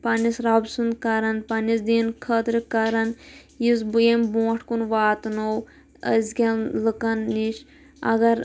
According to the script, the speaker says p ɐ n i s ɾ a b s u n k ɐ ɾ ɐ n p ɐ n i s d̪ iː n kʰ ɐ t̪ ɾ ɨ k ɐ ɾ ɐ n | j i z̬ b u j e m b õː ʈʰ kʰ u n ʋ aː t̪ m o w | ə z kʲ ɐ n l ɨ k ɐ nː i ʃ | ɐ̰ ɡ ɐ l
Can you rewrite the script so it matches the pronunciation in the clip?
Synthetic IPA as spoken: p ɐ n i s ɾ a b s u n k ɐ ɾ ɐ n p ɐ n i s d̪ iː n kʰ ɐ t̪ ɾ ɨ k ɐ ɾ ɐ n | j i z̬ b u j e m b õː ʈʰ k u n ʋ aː t̪ n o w | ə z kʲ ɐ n l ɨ k ɐ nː i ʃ | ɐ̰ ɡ ɐ ɾ